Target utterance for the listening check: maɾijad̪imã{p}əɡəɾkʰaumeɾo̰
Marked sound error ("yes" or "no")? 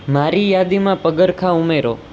no